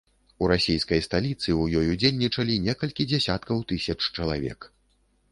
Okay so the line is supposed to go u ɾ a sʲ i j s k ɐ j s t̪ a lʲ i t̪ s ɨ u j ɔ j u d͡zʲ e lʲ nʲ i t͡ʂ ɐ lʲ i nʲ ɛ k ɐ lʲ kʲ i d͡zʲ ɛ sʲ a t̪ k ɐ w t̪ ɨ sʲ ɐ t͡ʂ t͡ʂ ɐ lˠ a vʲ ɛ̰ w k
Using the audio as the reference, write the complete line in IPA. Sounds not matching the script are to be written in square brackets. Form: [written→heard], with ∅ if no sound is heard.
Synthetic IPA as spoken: u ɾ a sʲ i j s k ɐ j s t̪ a lʲ i t̪ s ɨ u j ɔ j u d͡zʲ e lʲ nʲ i t͡ʂ ɐ lʲ i nʲ ɛ k ɐ lʲ kʲ i d͡zʲ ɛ sʲ a t̪ k ɐ w t̪ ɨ sʲ ɐ t͡ʂ t͡ʂ ɐ lˠ a vʲ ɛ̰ [w→∅] k